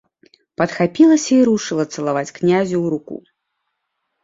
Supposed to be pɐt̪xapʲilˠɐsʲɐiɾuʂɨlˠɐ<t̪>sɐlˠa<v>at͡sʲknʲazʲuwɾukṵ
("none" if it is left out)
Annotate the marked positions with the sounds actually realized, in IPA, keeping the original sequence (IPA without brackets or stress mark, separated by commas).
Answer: t̪, v